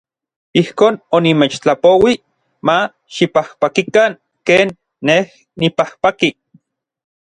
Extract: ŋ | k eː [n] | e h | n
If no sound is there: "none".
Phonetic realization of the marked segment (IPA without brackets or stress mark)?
nː